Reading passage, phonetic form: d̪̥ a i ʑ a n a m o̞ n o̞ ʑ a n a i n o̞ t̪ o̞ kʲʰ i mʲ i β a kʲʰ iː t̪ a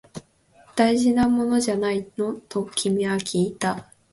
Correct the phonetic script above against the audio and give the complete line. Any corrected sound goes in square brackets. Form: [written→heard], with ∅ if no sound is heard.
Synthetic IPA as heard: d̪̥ a i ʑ [a→i] n a m o̞ n o̞ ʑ a n a i n o̞ t̪ o̞ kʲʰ i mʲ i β a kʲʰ iː t̪ a